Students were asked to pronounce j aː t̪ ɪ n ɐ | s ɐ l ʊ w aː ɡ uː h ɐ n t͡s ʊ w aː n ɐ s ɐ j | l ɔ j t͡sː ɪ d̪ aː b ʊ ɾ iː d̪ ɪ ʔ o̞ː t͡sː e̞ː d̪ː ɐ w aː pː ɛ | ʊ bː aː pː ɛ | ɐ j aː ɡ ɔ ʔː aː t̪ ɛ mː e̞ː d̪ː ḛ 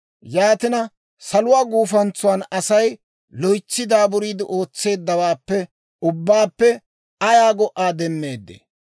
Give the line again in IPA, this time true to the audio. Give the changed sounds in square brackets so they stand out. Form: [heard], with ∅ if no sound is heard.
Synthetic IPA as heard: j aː t̪ ɪ n ɐ | s ɐ l ʊ w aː ɡ uː [f] ɐ n t͡s ʊ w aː n ɐ s ɐ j | l ɔ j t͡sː ɪ d̪ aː b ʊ ɾ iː d̪ ɪ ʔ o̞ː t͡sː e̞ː d̪ː ɐ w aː pː ɛ | ʊ bː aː pː ɛ | ɐ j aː ɡ ɔ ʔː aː [d̪] ɛ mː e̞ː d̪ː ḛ